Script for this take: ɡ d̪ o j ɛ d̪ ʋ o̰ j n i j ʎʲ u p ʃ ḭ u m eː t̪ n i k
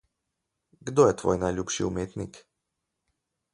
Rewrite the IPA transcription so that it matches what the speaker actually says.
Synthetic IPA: ɡ d̪ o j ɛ t̪ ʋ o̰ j n a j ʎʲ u p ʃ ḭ u m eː t̪ n i k